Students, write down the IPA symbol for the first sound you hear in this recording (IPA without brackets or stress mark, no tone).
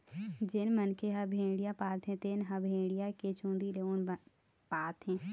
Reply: d͡ʒ